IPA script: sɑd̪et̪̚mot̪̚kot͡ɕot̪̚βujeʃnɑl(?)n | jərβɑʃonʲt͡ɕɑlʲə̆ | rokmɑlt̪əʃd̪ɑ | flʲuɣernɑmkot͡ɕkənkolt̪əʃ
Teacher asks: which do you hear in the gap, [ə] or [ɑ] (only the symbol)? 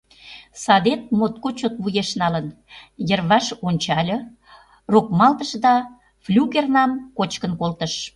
ə